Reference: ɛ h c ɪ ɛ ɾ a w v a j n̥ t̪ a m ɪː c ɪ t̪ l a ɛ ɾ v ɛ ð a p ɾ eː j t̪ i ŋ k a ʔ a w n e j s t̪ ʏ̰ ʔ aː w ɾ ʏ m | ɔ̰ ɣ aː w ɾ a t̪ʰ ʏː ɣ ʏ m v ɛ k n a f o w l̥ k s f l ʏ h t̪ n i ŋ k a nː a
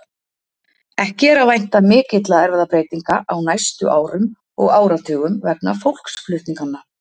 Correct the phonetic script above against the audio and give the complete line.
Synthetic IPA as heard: ɛ h c ɪ ɛ ɾ a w v a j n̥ t̪ a m ɪː c ɪ t̪ l a ɛ ɾ v ɛ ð a p ɾ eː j t̪ i ŋ k a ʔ a w n a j s t̪ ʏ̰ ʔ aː w ɾ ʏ m | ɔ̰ ɣ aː w ɾ a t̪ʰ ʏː ɣ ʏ m v ɛ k n a f o w l̥ k s f l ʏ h t̪ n i ŋ k a nː a